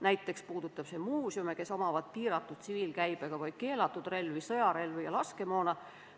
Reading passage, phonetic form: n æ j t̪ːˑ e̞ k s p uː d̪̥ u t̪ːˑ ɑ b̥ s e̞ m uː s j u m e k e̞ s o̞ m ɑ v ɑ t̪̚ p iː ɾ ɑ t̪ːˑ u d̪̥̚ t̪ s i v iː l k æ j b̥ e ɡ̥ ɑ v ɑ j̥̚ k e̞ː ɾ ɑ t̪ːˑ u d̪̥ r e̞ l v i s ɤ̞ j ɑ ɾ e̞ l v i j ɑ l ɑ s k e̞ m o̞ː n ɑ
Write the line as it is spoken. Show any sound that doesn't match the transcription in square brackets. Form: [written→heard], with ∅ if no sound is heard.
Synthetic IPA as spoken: n æ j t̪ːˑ e̞ k s p uː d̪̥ u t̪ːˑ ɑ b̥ s e̞ m uː s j u m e k e̞ s o̞ m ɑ v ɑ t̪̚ p iː ɾ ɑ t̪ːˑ u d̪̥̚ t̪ s i v iː l k æ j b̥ e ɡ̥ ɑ v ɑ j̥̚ k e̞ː [ɾ→l] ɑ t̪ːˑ u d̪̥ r e̞ l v i s ɤ̞ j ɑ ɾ e̞ l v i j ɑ l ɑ s k e̞ m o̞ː n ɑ